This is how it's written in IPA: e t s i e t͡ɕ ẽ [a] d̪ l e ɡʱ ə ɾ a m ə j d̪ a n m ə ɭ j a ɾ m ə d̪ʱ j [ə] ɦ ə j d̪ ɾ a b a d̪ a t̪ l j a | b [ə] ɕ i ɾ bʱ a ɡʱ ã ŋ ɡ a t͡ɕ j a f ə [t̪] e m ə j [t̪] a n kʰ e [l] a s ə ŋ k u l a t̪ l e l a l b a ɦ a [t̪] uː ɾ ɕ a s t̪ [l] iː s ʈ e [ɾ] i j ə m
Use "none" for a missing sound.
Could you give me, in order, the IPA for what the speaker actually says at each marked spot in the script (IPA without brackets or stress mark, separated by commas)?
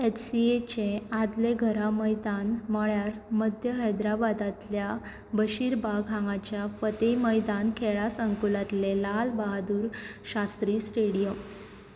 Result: a, ə, ə, t̪, d̪, ɭ, d̪, ɾ, ɽ